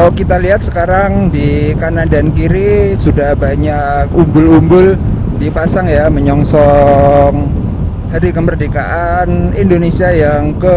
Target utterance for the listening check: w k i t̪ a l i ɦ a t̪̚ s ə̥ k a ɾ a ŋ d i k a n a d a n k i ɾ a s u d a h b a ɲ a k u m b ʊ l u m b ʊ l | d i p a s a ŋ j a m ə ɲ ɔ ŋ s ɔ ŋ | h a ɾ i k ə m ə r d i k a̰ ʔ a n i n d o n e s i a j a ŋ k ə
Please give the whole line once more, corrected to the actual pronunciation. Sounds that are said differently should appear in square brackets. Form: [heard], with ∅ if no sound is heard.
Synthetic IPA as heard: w k i t̪ a l i ɦ a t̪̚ s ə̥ k a ɾ a ŋ d i k a n a d a n k i ɾ [i] s u d a h b a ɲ a k u m b ʊ l u m b ʊ l | d i p a s a ŋ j a m ə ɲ ɔ ŋ s ɔ ŋ | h a ɾ i k ə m ə r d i k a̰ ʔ a n i n d o n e s i a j a ŋ k ə